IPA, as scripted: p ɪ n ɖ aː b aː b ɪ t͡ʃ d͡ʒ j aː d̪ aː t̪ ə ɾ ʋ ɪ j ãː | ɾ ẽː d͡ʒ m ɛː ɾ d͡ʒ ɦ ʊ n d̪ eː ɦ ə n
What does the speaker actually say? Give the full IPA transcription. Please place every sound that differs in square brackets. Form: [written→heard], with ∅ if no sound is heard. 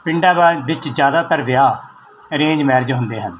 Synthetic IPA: p ɪ [n→ɳ] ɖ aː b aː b ɪ t͡ʃ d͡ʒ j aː d̪ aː t̪ ə ɾ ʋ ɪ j [ãː→aː] | ɾ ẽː d͡ʒ m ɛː ɾ d͡ʒ ɦ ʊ n d̪ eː ɦ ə n